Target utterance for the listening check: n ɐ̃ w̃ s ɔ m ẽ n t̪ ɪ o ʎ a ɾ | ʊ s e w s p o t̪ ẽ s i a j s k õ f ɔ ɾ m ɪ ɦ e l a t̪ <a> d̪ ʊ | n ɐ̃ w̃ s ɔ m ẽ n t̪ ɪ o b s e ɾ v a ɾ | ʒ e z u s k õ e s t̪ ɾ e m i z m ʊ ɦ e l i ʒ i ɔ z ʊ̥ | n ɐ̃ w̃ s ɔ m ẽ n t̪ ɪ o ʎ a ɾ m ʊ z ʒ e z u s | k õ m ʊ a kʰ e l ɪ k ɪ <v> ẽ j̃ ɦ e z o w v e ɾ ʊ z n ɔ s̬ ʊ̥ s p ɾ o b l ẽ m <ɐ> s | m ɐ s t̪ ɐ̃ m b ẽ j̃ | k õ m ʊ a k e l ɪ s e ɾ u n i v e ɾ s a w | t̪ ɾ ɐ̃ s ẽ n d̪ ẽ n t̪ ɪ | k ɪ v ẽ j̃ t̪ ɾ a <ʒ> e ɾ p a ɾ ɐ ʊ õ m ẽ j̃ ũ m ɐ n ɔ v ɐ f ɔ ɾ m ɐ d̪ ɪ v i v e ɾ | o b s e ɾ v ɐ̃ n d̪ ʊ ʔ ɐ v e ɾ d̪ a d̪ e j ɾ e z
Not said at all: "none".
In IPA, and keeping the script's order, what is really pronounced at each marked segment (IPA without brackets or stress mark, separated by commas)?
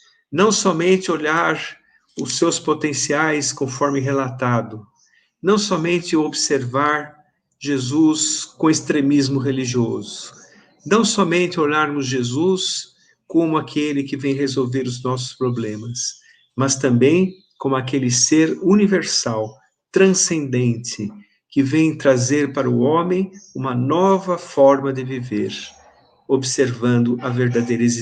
a, v, ɐ, z